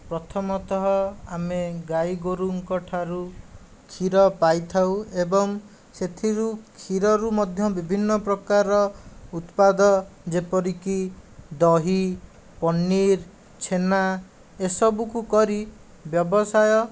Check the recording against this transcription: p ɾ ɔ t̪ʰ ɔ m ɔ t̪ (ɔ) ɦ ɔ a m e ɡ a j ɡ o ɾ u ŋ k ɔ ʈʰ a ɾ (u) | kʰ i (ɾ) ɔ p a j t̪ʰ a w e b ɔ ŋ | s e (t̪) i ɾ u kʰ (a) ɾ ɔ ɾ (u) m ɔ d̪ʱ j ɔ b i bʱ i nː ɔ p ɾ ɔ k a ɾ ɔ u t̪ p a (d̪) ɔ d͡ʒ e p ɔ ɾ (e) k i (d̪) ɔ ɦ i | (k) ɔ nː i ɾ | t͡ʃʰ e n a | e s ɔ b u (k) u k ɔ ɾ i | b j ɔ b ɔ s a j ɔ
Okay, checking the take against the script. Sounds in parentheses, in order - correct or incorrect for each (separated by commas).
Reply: correct, correct, correct, incorrect, incorrect, correct, correct, incorrect, correct, incorrect, correct